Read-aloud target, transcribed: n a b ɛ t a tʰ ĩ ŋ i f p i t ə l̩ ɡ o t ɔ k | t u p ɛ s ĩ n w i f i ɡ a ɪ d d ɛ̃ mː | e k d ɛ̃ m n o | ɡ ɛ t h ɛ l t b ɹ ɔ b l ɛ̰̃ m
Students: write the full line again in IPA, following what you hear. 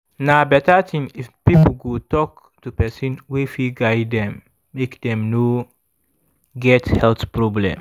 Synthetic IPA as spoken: n a b ɛ t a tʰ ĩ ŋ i f p i p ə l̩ ɡ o t ɔ k | t u p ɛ s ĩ n w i f i ɡ a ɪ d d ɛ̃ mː | e k d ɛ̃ m n o | ɡ ɛ t h ɛ l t p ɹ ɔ b l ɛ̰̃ m

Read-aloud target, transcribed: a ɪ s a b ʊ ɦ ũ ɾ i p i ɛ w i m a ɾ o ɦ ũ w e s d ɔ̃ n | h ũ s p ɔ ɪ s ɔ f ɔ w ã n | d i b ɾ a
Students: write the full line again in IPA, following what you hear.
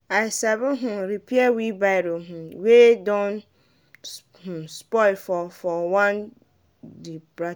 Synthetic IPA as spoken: a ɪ s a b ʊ ɦ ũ ɾ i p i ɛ w i b a ɾ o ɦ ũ w e d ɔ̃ n | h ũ s p ɔ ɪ f ɔ f ɔ w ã n | d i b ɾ a

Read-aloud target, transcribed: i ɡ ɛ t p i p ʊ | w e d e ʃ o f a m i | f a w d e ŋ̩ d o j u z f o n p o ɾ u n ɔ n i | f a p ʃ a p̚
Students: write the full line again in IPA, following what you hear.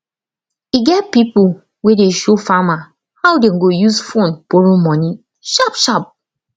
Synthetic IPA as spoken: i ɡ ɛ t p i p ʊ | w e d e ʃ o f a m a | h a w d e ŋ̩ ɡ o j u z f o n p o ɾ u m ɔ n i | ʃ a p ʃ a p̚

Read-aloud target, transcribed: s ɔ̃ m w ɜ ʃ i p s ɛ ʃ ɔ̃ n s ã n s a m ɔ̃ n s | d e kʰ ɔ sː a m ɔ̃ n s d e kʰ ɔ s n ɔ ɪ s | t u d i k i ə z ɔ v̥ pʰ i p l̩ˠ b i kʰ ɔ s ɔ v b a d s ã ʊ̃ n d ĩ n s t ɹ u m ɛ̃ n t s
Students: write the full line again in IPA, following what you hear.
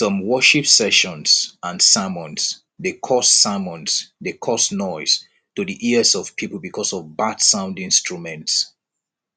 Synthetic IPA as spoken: s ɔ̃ m w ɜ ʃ i p s ɛ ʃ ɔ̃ n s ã n s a m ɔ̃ n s | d e kʰ ɔ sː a m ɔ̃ n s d e kʰ ɔ s n ɔ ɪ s | t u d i ʔ i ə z ɔ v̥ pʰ i p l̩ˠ b i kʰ ɔ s ɔ v b a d s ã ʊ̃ n d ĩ n s t ɹ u m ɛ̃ n t s

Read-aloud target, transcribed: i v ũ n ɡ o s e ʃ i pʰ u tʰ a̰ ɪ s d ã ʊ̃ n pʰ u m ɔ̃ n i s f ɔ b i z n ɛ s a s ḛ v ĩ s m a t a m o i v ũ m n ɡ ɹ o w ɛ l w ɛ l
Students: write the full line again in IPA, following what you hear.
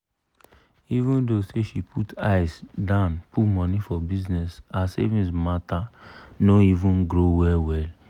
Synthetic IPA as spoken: i v ũ n d o s e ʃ i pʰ u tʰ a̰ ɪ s d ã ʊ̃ n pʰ u m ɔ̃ n i f ɔ b i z n ɛ s a s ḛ v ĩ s m a t a n o i v ũ n ɡ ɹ o w ɛ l w ɛ l

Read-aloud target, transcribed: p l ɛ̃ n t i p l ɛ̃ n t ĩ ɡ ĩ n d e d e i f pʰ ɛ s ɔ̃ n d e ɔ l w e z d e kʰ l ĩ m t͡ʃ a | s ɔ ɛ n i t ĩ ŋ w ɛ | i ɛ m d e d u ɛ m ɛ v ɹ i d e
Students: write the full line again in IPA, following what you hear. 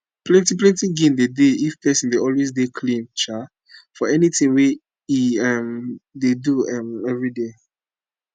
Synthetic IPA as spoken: p l ɛ̃ n t i p l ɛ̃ n t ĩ ɡ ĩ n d e d e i f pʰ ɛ s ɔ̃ n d e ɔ l w e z d e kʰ l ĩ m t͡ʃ a | f ɔ ɛ n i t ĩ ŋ w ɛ | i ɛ m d e d u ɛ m ɛ v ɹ i d e

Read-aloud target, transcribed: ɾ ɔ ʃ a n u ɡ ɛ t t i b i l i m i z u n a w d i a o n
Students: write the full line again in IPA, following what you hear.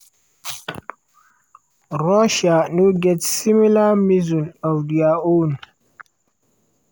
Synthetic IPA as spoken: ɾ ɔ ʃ a n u ɡ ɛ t s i m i l a m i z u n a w d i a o n

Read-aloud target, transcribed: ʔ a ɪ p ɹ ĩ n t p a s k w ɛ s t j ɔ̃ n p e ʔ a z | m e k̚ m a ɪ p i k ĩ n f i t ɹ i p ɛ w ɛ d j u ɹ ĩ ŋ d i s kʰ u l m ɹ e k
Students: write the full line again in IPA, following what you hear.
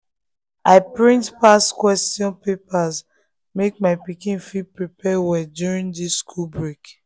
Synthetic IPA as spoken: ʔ a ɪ p ɹ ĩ n t p a s k w ɛ s t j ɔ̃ n p e p a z | m e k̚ m a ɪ p i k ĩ n f i p ɹ i p ɛ w ɛ d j u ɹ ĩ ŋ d i s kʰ u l b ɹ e k

